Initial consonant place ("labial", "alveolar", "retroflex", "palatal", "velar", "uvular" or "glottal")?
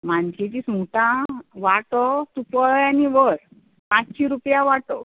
labial